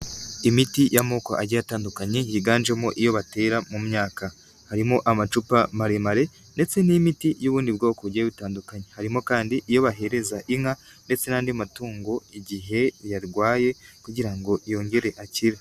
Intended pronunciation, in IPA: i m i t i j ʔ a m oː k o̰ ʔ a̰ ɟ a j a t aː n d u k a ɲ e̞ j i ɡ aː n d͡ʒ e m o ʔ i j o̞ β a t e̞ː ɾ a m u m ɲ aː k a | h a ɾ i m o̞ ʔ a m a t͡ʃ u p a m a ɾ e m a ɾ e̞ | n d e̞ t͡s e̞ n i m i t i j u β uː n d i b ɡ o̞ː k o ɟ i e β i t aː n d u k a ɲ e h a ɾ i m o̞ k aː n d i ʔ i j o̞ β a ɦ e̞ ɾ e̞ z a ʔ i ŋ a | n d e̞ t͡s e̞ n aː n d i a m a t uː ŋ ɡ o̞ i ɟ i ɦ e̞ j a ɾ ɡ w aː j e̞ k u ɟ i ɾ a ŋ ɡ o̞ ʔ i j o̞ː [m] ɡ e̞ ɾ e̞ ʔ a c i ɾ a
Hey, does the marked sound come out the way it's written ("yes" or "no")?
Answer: no